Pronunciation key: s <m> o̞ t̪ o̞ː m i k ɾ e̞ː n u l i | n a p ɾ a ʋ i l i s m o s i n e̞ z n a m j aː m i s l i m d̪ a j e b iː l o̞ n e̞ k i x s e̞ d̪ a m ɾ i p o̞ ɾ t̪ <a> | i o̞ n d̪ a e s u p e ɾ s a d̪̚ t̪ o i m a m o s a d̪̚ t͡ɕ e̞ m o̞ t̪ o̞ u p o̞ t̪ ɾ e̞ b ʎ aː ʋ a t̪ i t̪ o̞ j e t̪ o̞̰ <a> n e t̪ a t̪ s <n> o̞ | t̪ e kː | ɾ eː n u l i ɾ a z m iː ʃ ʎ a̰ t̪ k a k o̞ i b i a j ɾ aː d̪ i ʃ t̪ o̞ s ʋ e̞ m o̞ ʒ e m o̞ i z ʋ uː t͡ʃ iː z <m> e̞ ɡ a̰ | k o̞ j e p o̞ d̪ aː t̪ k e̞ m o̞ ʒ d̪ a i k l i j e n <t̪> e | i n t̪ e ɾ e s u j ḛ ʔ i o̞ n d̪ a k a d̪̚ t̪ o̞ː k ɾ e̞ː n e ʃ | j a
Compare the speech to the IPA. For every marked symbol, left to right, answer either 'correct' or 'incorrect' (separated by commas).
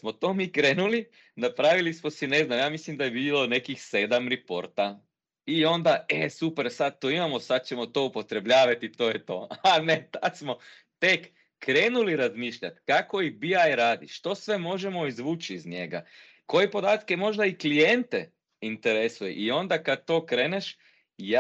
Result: correct, correct, correct, incorrect, incorrect, correct